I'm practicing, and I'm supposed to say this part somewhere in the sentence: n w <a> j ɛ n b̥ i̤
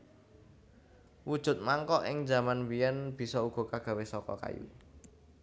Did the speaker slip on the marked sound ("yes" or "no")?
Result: yes